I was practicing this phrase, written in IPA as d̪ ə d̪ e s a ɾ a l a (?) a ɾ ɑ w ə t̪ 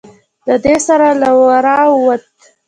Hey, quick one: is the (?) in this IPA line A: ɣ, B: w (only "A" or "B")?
B